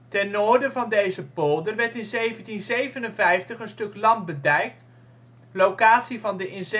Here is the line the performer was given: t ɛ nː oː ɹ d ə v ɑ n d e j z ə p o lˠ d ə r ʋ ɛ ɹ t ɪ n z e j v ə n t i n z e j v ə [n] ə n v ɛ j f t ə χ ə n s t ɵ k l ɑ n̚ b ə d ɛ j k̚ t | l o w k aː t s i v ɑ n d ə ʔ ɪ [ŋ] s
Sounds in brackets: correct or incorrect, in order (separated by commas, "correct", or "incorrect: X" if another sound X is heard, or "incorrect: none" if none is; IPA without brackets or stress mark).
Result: correct, incorrect: n